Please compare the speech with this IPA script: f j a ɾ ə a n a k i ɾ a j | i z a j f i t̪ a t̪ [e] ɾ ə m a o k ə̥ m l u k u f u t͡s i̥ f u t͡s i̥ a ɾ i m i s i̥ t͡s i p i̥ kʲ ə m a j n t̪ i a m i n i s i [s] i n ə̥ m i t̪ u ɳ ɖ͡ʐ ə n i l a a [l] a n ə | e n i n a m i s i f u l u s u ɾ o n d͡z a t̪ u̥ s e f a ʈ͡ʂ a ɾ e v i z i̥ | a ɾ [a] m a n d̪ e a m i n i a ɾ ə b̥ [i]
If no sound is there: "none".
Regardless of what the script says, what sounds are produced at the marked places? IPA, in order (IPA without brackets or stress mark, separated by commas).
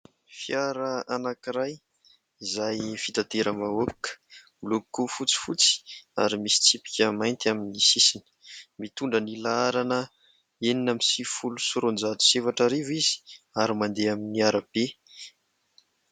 e, s, ɾ, i, e